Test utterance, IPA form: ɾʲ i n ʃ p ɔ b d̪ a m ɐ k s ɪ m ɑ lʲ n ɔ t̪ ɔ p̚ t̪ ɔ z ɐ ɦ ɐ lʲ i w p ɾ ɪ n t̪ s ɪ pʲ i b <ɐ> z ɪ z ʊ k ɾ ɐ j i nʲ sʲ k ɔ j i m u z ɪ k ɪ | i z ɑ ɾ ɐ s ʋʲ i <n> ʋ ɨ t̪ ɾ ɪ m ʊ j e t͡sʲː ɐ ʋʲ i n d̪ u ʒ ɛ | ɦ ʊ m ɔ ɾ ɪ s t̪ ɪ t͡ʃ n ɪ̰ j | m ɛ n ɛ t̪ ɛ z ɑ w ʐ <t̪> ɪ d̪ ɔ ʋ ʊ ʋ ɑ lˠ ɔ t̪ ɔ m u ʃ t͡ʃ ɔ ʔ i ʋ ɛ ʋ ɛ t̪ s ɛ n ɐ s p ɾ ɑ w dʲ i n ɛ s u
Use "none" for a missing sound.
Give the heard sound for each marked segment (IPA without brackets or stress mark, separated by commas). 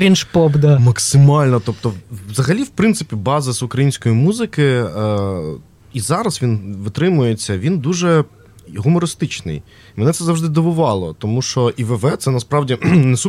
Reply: ɑ, n, d̪